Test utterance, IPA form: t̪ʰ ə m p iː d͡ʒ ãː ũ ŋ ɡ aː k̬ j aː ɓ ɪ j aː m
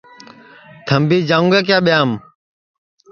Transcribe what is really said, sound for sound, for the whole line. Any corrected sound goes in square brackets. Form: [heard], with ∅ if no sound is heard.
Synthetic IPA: t̪ʰ ə m [b] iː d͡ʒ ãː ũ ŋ ɡ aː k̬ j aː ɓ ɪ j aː m